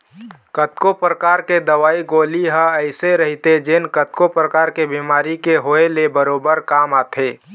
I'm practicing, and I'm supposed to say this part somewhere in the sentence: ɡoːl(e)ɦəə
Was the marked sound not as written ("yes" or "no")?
yes